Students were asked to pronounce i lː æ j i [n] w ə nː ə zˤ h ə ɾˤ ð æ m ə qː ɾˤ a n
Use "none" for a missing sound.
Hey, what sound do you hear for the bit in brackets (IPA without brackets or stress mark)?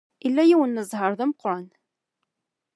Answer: none